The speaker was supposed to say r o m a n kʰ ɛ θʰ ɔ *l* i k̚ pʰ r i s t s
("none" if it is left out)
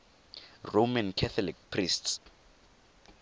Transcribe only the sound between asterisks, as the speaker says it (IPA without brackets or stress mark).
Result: l